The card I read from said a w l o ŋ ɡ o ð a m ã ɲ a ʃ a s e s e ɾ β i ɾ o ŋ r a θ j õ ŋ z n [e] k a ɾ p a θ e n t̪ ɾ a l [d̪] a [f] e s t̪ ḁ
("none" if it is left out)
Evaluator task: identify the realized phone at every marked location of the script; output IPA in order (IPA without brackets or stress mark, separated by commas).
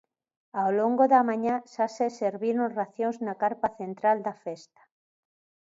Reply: a, d̪, f